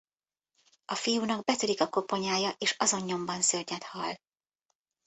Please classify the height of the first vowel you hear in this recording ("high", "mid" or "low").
low